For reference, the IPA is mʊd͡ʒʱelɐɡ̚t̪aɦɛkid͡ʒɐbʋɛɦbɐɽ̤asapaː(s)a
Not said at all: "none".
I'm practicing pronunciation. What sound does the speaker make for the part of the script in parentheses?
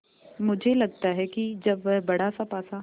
s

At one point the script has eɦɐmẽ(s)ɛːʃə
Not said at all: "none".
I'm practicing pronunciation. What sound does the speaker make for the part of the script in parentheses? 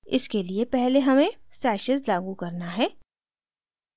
s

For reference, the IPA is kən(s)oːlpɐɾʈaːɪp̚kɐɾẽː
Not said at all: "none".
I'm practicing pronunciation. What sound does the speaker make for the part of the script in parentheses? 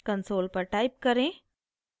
s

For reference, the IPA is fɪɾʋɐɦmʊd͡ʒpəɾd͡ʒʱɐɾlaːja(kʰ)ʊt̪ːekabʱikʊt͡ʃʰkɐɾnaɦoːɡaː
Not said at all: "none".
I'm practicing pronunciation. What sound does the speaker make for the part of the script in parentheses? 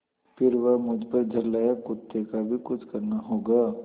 k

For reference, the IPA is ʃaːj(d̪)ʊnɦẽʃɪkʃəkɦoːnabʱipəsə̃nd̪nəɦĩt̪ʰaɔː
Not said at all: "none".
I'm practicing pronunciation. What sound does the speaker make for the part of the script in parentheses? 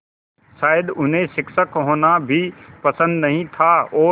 d̪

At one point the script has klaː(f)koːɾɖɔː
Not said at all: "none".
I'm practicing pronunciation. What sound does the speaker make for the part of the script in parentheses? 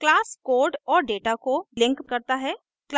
s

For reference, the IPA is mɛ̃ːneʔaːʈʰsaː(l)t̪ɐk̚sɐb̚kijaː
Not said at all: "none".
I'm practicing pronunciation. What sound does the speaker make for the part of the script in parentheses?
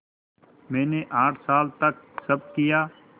l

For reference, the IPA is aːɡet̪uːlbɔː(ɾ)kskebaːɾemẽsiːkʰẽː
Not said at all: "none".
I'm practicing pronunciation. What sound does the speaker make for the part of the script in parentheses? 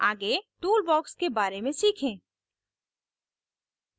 none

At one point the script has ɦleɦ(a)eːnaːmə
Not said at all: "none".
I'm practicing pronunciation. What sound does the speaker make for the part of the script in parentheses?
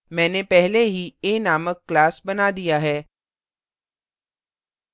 i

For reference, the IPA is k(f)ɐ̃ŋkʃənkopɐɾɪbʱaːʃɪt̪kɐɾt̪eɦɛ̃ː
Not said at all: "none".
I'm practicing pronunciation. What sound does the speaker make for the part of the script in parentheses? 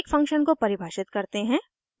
f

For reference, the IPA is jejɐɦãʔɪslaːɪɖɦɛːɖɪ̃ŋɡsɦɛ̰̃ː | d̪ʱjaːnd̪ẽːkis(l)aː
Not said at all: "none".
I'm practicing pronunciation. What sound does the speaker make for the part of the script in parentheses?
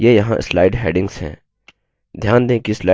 l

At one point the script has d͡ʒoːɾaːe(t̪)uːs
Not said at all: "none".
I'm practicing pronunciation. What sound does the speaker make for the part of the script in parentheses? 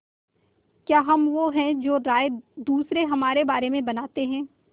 d̪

